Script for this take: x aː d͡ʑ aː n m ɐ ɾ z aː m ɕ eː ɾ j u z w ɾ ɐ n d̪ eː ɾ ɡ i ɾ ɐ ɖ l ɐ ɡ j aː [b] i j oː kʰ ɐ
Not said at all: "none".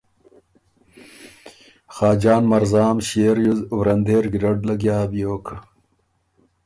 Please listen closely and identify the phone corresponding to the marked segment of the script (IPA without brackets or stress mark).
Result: b